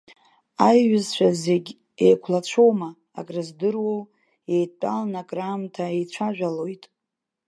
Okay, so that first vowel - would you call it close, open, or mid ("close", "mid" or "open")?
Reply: open